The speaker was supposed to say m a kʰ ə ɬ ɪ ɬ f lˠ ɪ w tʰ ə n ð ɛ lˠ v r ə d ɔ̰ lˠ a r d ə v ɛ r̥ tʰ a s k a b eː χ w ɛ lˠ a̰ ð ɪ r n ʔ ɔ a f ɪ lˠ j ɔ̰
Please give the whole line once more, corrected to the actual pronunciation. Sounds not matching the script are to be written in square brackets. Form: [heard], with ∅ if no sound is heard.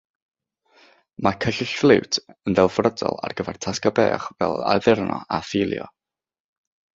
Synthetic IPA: m a kʰ ə ɬ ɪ ɬ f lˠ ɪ w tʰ ə n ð ɛ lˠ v r ə d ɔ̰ lˠ a r [ɡ] ə v ɛ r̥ tʰ a s k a b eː χ [v] ɛ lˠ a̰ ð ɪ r n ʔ ɔ a f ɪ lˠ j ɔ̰